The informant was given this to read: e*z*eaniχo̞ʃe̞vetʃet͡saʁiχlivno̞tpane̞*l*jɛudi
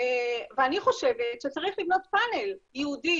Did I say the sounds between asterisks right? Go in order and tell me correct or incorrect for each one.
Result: incorrect: v, correct

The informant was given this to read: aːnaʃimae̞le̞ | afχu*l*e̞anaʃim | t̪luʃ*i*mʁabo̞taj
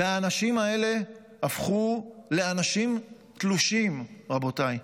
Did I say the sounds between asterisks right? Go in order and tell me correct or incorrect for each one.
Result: correct, correct

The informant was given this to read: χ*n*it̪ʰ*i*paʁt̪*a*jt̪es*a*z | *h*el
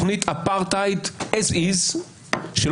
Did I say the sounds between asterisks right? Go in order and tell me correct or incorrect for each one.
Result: correct, incorrect: a, correct, incorrect: i, incorrect: ʃ

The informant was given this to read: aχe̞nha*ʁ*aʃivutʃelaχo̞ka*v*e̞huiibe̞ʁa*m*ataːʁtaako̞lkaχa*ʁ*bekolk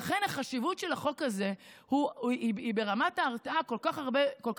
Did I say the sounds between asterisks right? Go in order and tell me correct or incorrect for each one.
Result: incorrect: χ, incorrect: z, correct, correct

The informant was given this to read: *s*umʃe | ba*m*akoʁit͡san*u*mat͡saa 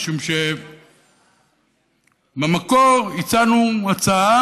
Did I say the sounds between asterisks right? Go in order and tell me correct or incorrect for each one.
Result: incorrect: ʃ, correct, correct

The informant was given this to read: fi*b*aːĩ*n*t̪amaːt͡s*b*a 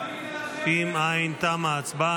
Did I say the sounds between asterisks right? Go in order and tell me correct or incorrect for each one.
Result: incorrect: m, correct, correct

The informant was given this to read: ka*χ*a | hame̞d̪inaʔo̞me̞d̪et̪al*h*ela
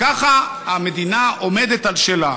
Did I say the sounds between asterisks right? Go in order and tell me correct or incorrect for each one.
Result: correct, incorrect: ʃ

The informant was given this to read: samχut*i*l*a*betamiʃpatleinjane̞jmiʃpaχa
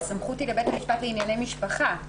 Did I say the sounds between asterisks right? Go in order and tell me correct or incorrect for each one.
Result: correct, incorrect: e

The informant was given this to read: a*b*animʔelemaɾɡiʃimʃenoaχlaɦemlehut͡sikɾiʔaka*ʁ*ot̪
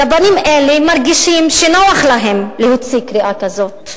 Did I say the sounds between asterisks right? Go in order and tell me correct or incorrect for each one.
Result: correct, incorrect: z

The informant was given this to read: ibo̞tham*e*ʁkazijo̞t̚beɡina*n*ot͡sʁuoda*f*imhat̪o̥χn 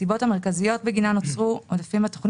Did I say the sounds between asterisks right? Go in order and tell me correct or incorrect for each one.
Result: correct, correct, correct

